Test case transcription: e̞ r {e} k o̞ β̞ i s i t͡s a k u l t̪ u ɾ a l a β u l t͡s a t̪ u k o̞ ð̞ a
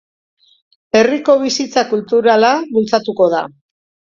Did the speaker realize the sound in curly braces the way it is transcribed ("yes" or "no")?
no